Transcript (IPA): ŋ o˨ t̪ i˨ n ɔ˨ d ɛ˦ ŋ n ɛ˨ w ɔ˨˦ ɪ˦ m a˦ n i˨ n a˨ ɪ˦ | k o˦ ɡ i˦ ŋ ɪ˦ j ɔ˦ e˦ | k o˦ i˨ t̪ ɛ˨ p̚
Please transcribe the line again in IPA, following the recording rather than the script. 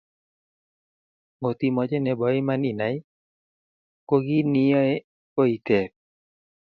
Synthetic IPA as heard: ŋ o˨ t̪ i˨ m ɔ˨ d͡ʒ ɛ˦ n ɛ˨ b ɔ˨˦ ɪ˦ m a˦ n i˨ n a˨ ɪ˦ | k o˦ ɡ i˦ n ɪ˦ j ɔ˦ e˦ | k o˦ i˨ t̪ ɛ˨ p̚